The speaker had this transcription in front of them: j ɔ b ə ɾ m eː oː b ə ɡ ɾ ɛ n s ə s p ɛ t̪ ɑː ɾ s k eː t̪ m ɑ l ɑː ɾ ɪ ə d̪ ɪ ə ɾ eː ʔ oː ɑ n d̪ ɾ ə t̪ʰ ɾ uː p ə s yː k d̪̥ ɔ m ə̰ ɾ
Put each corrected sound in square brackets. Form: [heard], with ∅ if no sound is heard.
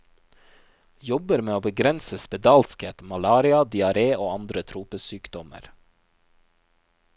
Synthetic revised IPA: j ɔ b ə ɾ m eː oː b ə ɡ ɾ ɛ n s ə s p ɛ [d̪] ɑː [l] s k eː t̪ m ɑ l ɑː ɾ ɪ [ɑ] d̪ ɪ [ɑ] ɾ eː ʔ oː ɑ n d̪ ɾ ə t̪ʰ ɾ uː p ə s yː k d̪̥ ɔ m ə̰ ɾ